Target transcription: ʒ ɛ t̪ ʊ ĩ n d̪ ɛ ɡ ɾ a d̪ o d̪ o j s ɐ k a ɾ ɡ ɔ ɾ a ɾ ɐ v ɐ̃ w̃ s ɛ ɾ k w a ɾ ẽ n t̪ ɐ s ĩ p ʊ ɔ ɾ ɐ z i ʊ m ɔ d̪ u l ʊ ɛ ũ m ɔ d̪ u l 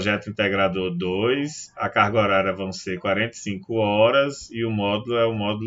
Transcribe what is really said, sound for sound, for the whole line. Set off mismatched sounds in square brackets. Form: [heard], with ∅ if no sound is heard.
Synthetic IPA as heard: ʒ ɛ t̪ ʊ ĩ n [t̪] ɛ ɡ ɾ a d̪ o d̪ o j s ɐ k a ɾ ɡ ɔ ɾ a ɾ ɐ v ɐ̃ w̃ s [e] ɾ k w a ɾ ẽ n t̪ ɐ s ĩ [k] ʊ ɔ ɾ ɐ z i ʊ m ɔ d̪ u l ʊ ɛ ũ m ɔ d̪ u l